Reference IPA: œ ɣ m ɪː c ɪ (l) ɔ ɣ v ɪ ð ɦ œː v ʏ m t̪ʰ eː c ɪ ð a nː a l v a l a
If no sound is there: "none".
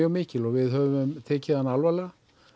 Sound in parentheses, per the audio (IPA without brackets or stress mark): l